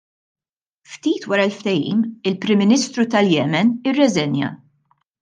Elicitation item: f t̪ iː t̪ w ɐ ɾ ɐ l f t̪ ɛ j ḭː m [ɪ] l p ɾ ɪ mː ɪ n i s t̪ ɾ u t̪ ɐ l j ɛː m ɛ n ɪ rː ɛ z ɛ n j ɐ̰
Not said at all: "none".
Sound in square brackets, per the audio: ɪ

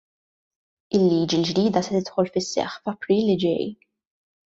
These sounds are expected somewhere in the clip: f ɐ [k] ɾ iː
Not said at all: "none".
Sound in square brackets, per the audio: p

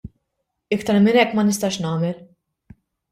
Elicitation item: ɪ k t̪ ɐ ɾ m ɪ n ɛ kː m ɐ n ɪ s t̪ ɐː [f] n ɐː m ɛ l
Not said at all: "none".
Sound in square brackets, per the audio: ʃ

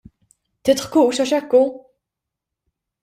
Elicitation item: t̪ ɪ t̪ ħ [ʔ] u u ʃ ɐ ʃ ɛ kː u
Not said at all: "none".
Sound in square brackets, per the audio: k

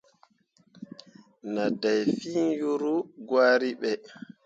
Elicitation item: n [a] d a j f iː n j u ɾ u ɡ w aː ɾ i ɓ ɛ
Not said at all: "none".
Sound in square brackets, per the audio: a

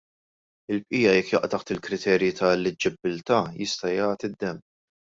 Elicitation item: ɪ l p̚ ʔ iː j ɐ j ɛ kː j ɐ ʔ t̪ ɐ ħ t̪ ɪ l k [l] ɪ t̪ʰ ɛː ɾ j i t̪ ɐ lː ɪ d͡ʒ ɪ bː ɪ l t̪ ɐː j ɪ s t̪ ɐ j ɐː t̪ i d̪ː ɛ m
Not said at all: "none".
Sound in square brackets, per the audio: ɾ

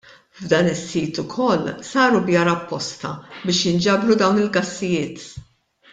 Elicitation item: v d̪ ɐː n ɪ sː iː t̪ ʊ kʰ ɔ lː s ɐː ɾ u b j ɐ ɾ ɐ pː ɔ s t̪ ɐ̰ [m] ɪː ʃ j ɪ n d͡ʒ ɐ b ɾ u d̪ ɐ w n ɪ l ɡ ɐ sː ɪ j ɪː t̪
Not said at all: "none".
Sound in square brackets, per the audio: b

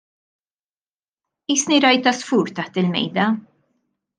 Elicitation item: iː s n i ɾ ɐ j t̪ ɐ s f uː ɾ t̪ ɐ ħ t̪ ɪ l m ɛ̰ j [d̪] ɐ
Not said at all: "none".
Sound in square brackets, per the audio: d̪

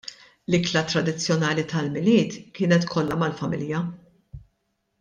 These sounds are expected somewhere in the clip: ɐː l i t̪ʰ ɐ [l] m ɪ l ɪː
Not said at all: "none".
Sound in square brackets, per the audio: l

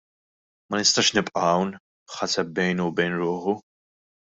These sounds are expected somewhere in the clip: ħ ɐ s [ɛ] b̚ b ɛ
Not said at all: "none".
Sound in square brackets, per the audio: ɛ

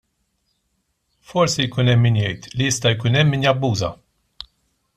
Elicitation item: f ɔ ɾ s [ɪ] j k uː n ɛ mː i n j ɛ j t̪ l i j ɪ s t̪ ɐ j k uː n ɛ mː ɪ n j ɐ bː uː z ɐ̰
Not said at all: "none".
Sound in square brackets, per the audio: i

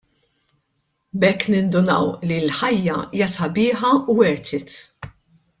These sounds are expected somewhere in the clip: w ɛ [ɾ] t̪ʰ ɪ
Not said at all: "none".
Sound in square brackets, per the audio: ɾ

